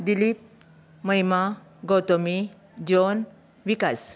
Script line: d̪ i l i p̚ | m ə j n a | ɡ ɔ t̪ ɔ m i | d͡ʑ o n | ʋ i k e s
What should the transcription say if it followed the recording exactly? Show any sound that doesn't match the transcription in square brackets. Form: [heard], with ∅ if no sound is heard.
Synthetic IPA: d̪ i l i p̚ | m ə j [m] a | ɡ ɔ t̪ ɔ m i | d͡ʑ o n | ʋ i k [a] s